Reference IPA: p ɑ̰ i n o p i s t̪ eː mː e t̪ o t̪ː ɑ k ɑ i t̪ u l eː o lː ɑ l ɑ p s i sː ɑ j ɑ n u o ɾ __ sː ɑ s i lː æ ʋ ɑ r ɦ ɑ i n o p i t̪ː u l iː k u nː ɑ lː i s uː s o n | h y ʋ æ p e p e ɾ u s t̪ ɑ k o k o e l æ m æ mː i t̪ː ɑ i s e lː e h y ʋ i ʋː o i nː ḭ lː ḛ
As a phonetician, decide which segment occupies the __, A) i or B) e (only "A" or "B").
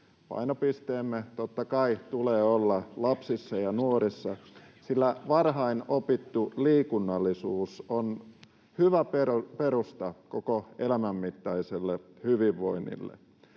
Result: A